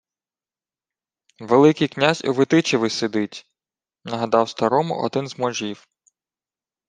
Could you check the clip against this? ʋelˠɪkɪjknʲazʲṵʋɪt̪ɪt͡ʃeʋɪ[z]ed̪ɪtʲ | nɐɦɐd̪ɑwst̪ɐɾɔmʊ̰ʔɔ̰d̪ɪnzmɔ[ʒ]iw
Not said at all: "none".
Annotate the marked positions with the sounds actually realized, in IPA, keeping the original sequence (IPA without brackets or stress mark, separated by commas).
s, ʒ